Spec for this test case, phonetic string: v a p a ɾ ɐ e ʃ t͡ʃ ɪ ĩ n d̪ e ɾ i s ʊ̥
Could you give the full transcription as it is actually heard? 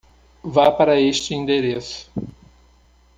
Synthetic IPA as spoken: v a p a ɾ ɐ e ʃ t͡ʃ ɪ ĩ n d̪ e ɾ e s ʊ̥